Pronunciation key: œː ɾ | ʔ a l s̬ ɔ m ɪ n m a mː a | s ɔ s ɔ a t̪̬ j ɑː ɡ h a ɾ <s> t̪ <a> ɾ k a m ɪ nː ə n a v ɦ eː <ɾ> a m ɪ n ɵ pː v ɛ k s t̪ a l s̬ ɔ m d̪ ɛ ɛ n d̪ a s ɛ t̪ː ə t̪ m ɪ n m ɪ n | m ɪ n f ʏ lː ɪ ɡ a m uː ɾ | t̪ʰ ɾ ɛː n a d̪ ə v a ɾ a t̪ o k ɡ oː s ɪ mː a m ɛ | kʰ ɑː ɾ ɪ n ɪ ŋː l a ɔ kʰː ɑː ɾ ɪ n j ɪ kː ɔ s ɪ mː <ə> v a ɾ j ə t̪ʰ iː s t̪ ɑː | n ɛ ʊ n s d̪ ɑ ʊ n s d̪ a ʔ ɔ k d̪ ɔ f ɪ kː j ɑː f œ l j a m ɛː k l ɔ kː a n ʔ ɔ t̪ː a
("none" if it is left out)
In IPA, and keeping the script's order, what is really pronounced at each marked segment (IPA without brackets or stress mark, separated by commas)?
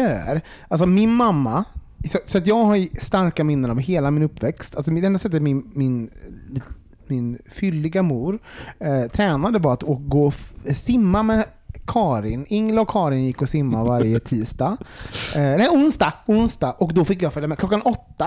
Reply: s, a, l, a